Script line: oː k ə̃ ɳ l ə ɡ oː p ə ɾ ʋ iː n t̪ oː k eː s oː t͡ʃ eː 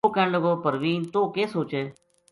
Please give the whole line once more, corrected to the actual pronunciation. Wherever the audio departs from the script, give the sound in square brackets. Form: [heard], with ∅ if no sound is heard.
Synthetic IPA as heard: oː k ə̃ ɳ l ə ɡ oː p ə ɾ ʋ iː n t̪ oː k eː s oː t͡ʃ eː